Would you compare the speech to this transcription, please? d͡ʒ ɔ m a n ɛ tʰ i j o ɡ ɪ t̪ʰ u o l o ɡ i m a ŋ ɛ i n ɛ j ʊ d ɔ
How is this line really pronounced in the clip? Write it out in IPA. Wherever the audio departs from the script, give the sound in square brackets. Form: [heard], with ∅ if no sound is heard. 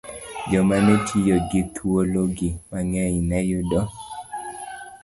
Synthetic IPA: d͡ʒ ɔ m a n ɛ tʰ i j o ɡ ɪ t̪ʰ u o l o ɡ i m a ŋ ɛ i n ɛ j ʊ d ɔ